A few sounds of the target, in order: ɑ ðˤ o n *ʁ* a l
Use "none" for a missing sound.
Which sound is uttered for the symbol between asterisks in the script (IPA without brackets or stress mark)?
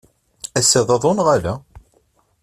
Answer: ʁ